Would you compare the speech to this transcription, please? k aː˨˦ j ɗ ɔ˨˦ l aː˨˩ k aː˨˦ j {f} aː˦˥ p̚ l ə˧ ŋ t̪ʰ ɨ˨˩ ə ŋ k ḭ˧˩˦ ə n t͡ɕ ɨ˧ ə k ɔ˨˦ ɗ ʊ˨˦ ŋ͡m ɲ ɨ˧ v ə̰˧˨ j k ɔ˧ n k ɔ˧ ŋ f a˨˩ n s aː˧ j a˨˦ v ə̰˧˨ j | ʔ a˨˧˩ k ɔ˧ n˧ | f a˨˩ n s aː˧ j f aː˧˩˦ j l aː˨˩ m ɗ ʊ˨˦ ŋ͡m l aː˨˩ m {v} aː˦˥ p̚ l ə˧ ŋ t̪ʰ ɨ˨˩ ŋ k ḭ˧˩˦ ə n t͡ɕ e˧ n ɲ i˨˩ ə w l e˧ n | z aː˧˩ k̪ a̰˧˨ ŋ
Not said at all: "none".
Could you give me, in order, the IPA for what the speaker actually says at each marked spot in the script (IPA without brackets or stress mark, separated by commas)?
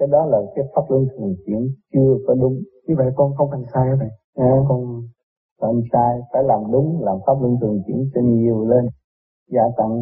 f, f